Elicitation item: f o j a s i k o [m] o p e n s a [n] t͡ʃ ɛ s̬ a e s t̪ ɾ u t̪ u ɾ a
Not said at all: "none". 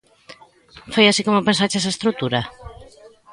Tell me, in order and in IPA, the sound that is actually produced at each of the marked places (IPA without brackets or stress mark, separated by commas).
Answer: m, none